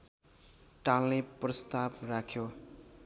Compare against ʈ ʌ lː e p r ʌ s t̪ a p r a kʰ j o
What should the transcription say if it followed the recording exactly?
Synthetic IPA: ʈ a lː e p r ʌ s t̪ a b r a kʰ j o